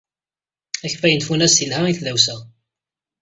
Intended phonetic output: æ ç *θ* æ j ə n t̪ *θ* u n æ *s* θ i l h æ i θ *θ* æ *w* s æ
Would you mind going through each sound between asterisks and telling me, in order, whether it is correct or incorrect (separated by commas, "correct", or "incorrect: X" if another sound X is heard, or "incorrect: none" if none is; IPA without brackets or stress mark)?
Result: incorrect: f, incorrect: f, correct, incorrect: ð, correct